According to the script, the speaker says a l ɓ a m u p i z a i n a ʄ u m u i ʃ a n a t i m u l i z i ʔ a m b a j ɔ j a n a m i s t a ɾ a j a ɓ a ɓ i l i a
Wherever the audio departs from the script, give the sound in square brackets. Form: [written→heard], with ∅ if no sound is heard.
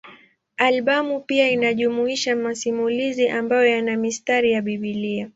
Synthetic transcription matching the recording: a l ɓ a m u p i [z→∅] a i n a ʄ u m u i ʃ a [n→m] a [t→s] i m u l i z i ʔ a m b a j ɔ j a n a m i s t a ɾ [a→i] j a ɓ [a→i] ɓ i l i a